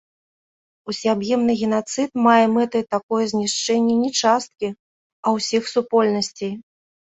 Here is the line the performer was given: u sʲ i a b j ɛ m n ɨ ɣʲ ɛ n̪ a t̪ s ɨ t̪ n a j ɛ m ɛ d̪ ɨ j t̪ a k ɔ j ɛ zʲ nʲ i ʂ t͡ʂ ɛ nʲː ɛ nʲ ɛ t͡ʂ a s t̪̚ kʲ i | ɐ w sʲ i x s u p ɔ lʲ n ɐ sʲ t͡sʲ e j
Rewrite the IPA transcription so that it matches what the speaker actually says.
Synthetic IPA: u sʲ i a b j ɛ m n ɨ ɣʲ ɛ n̪ a t̪ s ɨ t̪ m a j ɛ m ɛ t̪ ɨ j t̪ a k ɔ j ɛ zʲ nʲ i ʂ t͡ʂ ɛ nʲː ɛ nʲ ɛ t͡ʂ a s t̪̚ kʲ i | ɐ w sʲ i x s u p ɔ lʲ n ɐ sʲ t͡sʲ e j